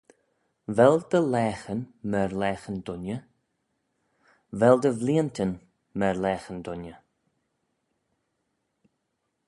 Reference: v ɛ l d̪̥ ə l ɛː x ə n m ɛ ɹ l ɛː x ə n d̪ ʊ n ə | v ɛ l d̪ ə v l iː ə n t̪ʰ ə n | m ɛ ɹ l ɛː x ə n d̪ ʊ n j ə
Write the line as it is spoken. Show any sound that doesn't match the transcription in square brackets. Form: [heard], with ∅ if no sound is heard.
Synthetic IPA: v ɛ l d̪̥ ə l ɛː x ə n m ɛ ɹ l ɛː x ə n d̪ ʊ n ə | v ɛ l d̪ ə v l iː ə n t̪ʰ ə n | m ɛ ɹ l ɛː x ə n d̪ ʊ n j ə